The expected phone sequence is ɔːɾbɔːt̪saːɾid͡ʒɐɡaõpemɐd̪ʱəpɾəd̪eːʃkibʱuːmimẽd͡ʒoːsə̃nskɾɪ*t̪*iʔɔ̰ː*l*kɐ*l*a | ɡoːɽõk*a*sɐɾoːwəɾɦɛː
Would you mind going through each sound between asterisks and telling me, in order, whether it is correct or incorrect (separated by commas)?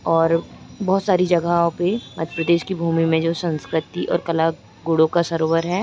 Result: correct, incorrect, correct, correct